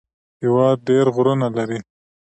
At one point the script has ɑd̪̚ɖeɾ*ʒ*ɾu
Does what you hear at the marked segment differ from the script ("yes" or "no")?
yes